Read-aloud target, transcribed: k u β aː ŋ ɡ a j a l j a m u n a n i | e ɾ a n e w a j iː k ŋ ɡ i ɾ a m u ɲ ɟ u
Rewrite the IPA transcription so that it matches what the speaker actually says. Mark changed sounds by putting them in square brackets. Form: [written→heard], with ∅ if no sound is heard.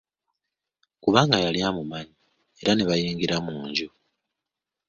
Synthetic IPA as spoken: k u β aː ŋ ɡ a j a l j a m u [n→m] a [n→ɲ] i | e ɾ a n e [w→β] a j iː [k→∅] ŋ ɡ i ɾ a m [u→uː] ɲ ɟ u

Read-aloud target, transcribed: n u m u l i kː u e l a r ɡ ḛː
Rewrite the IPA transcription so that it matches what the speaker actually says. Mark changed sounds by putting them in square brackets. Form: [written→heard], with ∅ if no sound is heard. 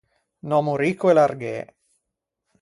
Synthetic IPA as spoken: n [u→ɔ] m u [l→ɾ] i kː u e l a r ɡ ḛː

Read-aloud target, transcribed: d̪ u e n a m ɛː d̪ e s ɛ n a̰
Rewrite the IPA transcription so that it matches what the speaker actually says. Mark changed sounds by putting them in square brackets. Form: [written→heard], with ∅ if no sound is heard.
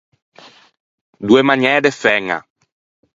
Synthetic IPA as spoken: d̪ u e [n→m] a [m→ɲ] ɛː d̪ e [s→f] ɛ [n→ŋ] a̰

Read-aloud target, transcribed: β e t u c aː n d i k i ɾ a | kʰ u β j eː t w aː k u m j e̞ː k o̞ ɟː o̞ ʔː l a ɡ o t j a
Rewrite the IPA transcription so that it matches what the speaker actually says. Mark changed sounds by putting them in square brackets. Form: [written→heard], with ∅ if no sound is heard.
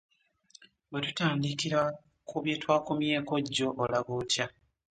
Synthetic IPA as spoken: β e t u [c→t] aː n d i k i ɾ a | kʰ u β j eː t w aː k u m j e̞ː k o̞ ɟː o̞ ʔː l a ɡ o t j a

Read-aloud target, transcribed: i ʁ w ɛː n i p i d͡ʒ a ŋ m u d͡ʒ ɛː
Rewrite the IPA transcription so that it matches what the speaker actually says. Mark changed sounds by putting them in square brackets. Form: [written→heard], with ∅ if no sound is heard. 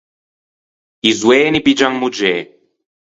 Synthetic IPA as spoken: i [ʁ→z] w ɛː n i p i d͡ʒ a ŋ m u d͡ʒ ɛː

